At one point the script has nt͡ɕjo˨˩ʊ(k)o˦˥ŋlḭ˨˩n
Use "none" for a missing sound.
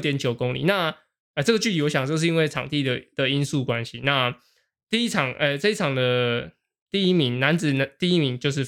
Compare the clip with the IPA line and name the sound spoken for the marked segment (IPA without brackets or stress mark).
k